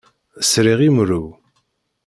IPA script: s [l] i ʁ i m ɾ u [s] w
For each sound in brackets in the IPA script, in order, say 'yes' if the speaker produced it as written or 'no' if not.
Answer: no, no

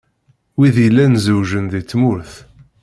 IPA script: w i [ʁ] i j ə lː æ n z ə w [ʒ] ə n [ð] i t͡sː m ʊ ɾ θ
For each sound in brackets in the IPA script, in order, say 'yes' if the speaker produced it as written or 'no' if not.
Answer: no, yes, yes

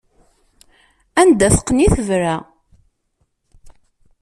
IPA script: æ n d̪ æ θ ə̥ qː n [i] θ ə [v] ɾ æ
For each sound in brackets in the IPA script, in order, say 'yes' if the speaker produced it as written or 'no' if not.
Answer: yes, yes

